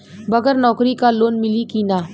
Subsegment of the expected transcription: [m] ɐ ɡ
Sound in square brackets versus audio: incorrect: b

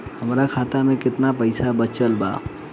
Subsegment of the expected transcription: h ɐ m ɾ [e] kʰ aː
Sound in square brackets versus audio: incorrect: a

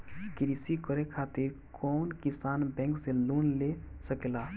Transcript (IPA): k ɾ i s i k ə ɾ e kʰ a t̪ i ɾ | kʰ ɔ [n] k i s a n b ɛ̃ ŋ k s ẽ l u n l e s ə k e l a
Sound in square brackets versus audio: correct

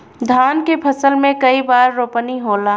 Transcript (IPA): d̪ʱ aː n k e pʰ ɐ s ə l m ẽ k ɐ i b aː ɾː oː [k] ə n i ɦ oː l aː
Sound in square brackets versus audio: incorrect: p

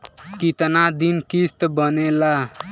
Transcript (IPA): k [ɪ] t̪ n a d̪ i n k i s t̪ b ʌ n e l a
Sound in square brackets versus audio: incorrect: i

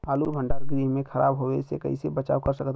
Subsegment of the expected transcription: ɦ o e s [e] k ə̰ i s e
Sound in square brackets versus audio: correct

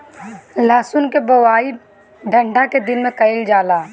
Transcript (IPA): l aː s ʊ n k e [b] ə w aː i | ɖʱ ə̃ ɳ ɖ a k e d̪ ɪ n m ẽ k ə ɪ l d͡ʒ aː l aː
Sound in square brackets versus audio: correct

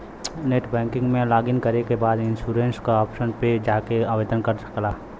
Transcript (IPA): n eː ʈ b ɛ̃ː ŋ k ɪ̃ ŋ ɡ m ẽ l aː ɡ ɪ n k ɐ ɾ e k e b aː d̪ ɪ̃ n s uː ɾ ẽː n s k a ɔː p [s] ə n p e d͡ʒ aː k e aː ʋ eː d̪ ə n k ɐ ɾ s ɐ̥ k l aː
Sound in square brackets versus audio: incorrect: ʃ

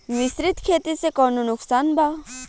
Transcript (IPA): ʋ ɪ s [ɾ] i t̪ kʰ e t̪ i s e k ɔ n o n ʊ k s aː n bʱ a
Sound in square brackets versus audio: correct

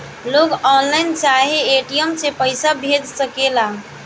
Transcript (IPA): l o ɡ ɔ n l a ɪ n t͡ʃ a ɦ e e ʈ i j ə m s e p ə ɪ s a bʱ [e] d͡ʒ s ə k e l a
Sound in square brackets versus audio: correct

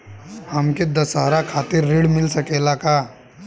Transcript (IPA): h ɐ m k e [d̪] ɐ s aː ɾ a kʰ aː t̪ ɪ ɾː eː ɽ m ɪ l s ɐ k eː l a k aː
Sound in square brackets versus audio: correct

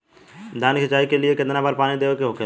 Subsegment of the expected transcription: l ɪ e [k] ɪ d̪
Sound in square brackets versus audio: correct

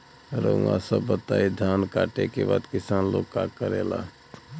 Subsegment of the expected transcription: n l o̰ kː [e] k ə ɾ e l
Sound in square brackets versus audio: incorrect: a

